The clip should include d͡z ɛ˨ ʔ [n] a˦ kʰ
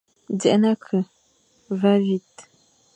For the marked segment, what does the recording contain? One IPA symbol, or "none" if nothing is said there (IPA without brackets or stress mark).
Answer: n